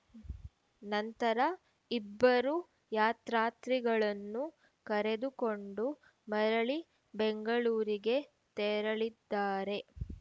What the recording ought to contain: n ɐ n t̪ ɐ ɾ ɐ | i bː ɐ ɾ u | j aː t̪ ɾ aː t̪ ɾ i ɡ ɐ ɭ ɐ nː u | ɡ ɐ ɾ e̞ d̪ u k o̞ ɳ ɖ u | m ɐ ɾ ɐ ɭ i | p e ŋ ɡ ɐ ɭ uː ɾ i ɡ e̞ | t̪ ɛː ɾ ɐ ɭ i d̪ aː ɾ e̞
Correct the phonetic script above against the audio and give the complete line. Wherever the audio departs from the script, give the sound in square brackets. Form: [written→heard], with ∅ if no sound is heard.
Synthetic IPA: n ɐ n t̪ ɐ ɾ ɐ | i bː ɐ ɾ u | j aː t̪ ɾ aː t̪ ɾ i ɡ ɐ ɭ ɐ nː u | [ɡ→k] ɐ ɾ e̞ d̪ u k o̞ ɳ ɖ u | m ɐ ɾ ɐ ɭ i | [p→b] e ŋ ɡ ɐ ɭ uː ɾ i ɡ e̞ | t̪ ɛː ɾ ɐ ɭ i [d̪→d̪ː] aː ɾ e̞

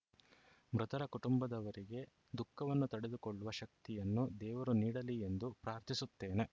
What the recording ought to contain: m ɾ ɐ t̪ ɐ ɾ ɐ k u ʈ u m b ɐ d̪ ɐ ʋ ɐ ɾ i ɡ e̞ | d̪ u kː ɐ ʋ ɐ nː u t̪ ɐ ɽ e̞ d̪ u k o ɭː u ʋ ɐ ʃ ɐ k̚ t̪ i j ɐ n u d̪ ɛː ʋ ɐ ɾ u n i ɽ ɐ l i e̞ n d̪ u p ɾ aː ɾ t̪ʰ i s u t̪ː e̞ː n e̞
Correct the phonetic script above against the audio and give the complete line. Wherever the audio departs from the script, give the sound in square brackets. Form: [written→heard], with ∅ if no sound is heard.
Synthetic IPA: m ɾ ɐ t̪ ɐ ɾ ɐ k u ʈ u m b ɐ d̪ ɐ ʋ ɐ ɾ i ɡ e̞ | d̪ u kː ɐ ʋ ɐ nː u t̪ ɐ ɽ e̞ d̪ u k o ɭː u ʋ ɐ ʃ ɐ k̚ t̪ i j ɐ [n→nː] u d̪ ɛː ʋ ɐ ɾ u n [i→iː] ɽ ɐ l i e̞ n d̪ u p ɾ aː ɾ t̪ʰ i s u t̪ː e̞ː n e̞

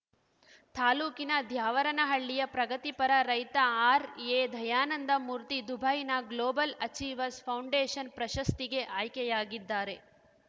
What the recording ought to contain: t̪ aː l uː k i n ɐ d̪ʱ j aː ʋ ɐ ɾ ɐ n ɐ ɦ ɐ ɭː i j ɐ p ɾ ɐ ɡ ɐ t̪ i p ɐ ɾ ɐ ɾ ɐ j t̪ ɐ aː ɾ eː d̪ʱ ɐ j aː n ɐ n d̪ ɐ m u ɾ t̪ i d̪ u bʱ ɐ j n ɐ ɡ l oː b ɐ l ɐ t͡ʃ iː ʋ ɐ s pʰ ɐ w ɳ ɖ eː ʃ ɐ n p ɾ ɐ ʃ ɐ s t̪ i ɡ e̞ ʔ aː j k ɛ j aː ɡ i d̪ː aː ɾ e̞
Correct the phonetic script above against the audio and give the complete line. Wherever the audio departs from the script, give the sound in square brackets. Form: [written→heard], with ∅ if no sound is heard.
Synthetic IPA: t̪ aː l uː k i n ɐ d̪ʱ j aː ʋ ɐ ɾ ɐ n ɐ ɦ ɐ ɭː i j ɐ p ɾ ɐ ɡ ɐ t̪ i p ɐ ɾ ɐ ɾ ɐ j t̪ ɐ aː ɾ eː d̪ʱ ɐ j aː n ɐ n d̪ ɐ m u ɾ t̪ i d̪ u bʱ ɐ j n ɐ ɡ l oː b ɐ l ɐ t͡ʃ iː ʋ ɐ s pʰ ɐ w ɳ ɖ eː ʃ ɐ n p ɾ ɐ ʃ ɐ s t̪ i ɡ e̞ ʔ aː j k ɛ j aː ɡ i d̪ː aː ɾ e̞

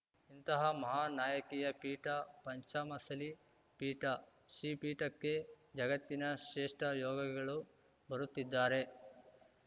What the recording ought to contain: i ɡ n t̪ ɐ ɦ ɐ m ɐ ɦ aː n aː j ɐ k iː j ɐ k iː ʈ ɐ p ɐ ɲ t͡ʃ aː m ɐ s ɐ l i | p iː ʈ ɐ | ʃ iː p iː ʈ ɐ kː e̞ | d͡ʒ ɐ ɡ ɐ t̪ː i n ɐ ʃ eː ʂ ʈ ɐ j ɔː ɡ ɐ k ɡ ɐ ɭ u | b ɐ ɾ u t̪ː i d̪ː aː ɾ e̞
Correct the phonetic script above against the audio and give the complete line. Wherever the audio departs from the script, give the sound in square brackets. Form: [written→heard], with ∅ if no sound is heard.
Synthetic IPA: i [ɡ→∅] n t̪ ɐ ɦ ɐ m ɐ ɦ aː n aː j ɐ k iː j ɐ [k→p] iː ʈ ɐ p ɐ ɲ t͡ʃ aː m ɐ s ɐ l i | p iː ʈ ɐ | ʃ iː p iː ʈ ɐ kː e̞ | d͡ʒ ɐ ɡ ɐ t̪ː i n ɐ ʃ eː ʂ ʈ ɐ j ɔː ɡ ɐ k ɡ ɐ ɭ u | b ɐ ɾ u t̪ː i d̪ː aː ɾ e̞

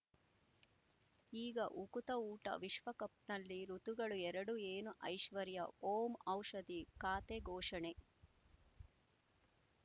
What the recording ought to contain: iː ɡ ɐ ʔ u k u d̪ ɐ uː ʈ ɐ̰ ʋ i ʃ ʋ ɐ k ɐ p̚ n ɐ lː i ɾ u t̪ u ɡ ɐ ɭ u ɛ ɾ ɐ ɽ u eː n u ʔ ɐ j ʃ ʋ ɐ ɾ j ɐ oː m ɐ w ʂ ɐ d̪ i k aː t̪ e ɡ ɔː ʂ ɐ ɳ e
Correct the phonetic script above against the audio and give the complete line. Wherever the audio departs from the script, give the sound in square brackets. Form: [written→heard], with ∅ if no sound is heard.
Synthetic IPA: iː ɡ ɐ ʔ u k u [d̪→t̪] ɐ uː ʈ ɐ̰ ʋ i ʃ ʋ ɐ k ɐ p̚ n ɐ lː i ɾ u t̪ u ɡ ɐ ɭ u ɛ ɾ ɐ ɽ u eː n u ʔ ɐ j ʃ ʋ ɐ ɾ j ɐ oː m ɐ w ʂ ɐ d̪ i k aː t̪ e ɡ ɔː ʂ ɐ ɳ e

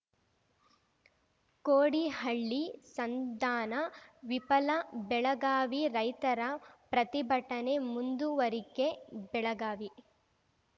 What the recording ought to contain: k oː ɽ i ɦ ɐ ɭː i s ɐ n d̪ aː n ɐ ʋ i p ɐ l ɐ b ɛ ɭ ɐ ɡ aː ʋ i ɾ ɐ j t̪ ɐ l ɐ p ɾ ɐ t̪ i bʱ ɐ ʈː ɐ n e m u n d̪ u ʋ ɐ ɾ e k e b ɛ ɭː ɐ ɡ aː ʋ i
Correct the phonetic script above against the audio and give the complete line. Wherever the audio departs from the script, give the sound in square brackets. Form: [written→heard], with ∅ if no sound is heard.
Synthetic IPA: k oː ɽ i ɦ ɐ ɭː i s ɐ n d̪ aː n ɐ ʋ i p ɐ l ɐ b ɛ ɭ ɐ ɡ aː ʋ i ɾ ɐ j t̪ ɐ [l→ɾ] ɐ p ɾ ɐ t̪ i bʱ ɐ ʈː ɐ n e m u n d̪ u ʋ ɐ ɾ [e→i] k e b ɛ [ɭː→ɭ] ɐ ɡ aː ʋ i

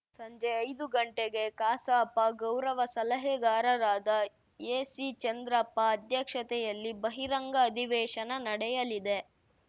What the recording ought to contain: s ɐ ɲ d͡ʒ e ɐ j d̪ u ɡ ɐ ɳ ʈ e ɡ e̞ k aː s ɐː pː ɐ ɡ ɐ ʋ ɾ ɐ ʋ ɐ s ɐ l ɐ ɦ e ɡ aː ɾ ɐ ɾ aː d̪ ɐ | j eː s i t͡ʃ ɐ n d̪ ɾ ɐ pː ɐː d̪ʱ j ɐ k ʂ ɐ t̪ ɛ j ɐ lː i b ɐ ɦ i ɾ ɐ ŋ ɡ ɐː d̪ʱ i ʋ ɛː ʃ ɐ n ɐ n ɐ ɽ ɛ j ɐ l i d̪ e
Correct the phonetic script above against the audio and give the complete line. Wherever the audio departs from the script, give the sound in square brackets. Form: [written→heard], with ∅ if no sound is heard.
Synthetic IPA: s ɐ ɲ d͡ʒ e ɐ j d̪ u ɡ ɐ ɳ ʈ e ɡ e̞ k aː s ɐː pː ɐ ɡ ɐ [ʋ→w] ɾ ɐ ʋ ɐ s ɐ l ɐ ɦ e ɡ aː ɾ ɐ ɾ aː d̪ ɐ | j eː s i t͡ʃ ɐ n d̪ ɾ ɐ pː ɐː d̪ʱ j ɐ k ʂ ɐ t̪ ɛ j ɐ lː i b ɐ ɦ i ɾ ɐ ŋ ɡ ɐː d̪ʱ i ʋ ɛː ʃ ɐ n ɐ n ɐ ɽ ɛ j ɐ l i d̪ e

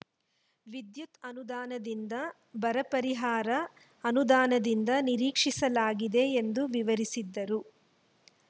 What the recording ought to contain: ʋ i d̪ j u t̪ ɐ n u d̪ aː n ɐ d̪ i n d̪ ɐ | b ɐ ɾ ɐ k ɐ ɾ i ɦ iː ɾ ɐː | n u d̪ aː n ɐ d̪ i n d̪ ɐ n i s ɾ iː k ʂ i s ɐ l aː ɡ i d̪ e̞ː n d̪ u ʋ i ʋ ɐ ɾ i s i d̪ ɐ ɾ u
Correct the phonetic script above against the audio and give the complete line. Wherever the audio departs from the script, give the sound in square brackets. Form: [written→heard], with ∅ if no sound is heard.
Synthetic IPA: ʋ i d̪ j u t̪ ɐ n u d̪ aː n ɐ d̪ i n d̪ ɐ | b ɐ ɾ ɐ [k→p] ɐ ɾ i ɦ [iː→aː] ɾ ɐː | n u d̪ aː n ɐ d̪ i n d̪ ɐ n i [s→∅] ɾ iː k ʂ i s ɐ l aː ɡ i d̪ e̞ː n d̪ u ʋ i ʋ ɐ ɾ i s i [d̪→d̪ː] ɐ ɾ u

